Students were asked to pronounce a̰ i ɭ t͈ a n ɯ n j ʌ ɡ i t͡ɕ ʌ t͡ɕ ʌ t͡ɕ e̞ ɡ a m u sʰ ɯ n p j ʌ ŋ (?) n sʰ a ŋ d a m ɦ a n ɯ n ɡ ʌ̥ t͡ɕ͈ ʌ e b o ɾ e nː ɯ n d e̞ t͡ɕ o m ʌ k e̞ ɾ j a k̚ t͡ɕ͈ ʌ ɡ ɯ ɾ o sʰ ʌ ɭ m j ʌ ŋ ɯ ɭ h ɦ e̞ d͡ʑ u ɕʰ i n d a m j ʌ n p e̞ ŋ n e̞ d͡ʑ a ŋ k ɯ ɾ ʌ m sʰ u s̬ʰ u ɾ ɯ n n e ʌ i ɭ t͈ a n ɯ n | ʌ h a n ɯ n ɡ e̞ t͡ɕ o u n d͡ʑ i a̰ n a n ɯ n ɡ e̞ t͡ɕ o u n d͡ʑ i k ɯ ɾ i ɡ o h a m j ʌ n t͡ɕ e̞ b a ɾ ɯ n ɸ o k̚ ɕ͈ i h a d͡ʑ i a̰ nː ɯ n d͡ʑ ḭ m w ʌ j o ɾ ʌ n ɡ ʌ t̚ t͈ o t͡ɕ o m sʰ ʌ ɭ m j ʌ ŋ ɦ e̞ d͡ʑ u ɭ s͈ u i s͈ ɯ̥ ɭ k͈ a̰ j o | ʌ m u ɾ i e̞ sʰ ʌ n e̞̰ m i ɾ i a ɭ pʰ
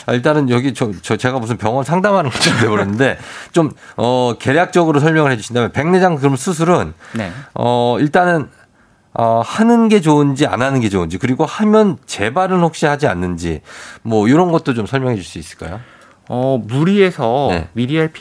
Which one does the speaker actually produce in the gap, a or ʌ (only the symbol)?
ʌ